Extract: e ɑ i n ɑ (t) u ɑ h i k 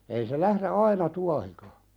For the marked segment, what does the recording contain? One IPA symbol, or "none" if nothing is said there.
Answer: t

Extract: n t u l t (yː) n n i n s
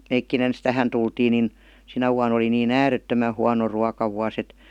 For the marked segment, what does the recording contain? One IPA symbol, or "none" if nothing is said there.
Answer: iː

